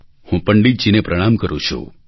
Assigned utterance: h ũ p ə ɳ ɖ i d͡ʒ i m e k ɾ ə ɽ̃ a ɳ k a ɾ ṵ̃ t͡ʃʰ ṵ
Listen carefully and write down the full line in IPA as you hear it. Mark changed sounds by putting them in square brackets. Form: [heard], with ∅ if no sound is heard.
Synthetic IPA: h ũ p ə ɳ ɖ i d͡ʒ i [n] e [p] ɾ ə ɽ̃ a [m] k [ə] ɾ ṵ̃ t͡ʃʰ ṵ